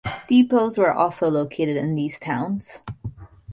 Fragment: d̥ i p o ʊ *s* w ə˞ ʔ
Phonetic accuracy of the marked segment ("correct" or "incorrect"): incorrect